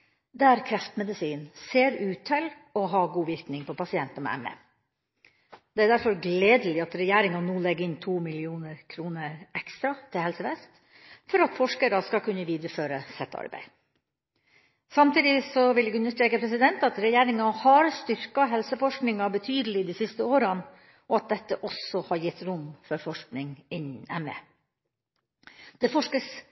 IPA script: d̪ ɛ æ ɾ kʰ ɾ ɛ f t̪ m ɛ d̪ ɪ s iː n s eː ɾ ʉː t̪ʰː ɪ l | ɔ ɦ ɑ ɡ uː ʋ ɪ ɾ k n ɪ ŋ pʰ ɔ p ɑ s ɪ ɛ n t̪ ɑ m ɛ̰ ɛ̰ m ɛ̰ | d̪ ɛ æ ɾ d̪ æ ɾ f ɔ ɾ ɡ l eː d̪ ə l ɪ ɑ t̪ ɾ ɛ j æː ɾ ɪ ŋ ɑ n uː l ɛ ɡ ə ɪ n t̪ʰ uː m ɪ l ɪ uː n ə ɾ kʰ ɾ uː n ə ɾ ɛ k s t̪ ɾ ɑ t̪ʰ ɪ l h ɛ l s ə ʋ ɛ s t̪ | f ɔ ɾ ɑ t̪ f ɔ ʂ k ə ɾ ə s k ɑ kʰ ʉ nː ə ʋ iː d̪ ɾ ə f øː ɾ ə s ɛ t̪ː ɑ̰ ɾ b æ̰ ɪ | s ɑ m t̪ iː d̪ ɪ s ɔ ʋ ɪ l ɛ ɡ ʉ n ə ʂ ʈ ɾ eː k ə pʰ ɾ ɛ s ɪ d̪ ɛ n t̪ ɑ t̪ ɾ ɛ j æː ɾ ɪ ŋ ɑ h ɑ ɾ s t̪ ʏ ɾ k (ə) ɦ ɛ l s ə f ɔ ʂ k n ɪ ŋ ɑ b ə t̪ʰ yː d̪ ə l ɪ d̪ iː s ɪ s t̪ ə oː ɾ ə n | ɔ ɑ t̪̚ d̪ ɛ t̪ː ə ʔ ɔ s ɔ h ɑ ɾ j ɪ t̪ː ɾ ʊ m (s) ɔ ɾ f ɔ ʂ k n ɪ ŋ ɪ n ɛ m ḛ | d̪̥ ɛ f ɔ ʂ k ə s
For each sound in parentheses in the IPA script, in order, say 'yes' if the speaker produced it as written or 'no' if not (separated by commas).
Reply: no, no